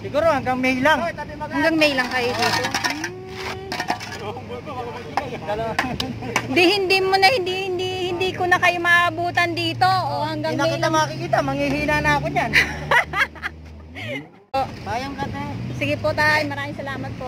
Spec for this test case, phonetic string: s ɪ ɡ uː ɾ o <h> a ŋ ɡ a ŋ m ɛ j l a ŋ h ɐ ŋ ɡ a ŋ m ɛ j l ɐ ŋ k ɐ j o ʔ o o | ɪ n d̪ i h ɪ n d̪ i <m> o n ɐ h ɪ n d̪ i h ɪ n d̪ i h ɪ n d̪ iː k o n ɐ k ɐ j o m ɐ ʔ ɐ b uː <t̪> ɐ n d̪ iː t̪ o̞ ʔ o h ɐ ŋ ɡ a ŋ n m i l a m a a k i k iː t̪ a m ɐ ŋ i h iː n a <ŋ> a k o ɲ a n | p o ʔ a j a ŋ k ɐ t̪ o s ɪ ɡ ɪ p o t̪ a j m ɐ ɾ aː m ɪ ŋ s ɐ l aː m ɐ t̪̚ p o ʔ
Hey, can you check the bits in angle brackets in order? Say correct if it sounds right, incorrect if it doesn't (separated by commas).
correct, correct, correct, incorrect